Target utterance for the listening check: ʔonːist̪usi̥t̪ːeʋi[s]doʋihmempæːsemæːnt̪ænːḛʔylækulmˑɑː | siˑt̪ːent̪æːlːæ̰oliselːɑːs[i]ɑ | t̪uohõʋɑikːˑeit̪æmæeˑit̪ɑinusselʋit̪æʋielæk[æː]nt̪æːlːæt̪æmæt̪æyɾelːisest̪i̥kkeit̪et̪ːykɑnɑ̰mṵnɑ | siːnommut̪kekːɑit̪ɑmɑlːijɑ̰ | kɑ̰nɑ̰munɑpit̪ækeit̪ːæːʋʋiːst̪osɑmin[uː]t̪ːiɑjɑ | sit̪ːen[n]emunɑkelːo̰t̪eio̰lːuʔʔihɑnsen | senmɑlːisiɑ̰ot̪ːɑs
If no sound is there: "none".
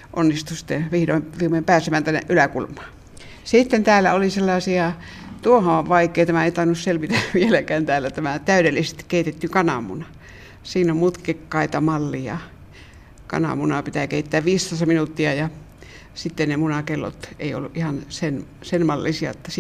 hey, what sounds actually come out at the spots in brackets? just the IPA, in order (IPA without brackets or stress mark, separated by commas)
h, i, æː, u, n